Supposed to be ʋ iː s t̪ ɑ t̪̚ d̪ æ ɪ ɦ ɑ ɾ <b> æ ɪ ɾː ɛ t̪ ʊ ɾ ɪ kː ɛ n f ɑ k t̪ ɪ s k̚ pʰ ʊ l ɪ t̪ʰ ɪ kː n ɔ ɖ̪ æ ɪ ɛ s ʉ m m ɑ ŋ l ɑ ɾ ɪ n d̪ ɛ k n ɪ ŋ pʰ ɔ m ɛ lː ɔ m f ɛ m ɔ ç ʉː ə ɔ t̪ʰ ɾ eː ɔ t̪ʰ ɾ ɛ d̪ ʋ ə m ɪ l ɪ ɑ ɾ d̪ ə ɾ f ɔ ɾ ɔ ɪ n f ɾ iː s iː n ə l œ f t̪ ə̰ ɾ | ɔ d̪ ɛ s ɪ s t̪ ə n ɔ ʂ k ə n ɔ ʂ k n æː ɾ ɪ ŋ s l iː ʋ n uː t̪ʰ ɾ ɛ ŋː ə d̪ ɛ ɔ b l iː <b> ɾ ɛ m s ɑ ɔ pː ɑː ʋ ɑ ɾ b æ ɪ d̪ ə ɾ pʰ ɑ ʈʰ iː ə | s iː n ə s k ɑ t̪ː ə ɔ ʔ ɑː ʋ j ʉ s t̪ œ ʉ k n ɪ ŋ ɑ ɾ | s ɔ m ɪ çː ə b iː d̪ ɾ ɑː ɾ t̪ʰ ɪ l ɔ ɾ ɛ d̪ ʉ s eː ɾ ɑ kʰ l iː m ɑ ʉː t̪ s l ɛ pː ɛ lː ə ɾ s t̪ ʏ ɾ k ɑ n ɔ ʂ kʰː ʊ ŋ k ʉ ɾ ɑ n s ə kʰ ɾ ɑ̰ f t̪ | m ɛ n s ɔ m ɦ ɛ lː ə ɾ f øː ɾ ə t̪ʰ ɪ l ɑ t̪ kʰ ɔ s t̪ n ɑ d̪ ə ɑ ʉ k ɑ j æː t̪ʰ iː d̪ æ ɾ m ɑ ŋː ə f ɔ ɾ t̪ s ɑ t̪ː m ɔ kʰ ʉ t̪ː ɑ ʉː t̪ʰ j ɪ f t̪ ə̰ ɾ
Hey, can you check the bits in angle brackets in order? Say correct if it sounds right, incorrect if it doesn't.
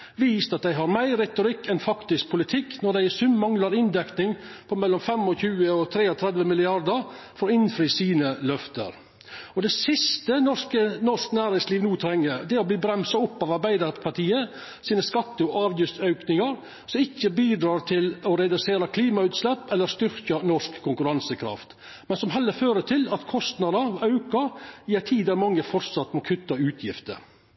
incorrect: m, correct

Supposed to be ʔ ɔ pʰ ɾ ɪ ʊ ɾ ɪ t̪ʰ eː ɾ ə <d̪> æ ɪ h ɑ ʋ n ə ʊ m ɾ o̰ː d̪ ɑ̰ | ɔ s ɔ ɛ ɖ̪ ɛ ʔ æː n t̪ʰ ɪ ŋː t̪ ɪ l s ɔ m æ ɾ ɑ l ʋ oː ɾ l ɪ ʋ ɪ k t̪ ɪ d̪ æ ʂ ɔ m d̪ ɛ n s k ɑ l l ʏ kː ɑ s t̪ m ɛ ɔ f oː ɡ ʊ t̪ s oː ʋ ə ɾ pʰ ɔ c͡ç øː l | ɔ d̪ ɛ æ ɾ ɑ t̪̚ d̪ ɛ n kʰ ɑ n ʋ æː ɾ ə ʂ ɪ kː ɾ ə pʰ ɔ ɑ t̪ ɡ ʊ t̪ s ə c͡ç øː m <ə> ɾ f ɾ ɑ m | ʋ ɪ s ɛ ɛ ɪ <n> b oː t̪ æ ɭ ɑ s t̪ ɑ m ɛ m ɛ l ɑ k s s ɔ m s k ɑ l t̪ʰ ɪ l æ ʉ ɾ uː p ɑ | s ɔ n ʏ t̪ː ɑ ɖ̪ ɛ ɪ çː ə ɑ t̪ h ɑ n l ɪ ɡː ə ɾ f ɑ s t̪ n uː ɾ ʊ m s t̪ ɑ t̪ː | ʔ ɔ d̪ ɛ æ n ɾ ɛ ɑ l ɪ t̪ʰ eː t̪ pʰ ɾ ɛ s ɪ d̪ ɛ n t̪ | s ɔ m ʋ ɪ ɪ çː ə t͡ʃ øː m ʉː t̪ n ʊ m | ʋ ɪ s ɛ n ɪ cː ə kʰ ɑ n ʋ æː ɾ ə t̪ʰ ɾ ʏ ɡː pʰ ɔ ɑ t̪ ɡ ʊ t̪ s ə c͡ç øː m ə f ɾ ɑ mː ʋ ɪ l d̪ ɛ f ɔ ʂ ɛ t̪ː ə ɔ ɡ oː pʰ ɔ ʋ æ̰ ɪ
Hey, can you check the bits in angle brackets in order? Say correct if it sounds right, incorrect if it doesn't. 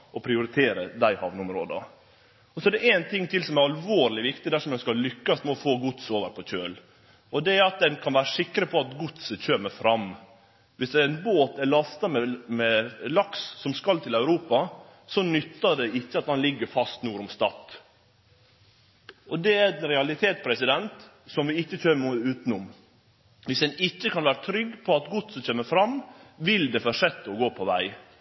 correct, correct, correct

